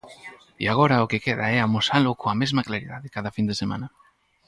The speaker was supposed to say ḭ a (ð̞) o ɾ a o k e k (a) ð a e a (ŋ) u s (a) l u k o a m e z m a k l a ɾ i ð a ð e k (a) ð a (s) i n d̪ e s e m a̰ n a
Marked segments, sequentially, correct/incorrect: incorrect: ɣ̞, incorrect: e, incorrect: m, correct, correct, incorrect: f

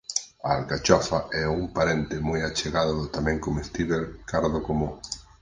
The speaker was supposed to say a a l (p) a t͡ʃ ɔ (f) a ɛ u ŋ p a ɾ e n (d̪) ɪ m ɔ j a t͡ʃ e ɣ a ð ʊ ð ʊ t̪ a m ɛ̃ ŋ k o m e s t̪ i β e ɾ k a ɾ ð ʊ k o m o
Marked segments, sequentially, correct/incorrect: incorrect: k, correct, incorrect: t̪

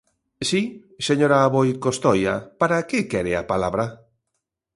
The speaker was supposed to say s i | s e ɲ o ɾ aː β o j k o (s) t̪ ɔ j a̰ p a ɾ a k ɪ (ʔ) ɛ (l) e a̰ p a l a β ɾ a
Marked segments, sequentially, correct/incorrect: correct, incorrect: k, incorrect: ɾ

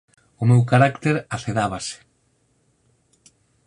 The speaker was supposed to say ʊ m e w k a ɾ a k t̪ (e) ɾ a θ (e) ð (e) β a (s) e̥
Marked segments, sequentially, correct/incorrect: correct, correct, incorrect: a, correct

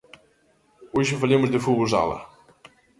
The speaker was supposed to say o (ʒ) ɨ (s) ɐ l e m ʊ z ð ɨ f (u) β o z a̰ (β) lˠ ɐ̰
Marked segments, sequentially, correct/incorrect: correct, incorrect: f, correct, incorrect: none

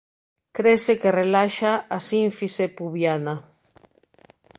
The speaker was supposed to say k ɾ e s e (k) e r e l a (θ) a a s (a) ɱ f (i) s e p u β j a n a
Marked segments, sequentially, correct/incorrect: correct, incorrect: ʃ, incorrect: i, correct

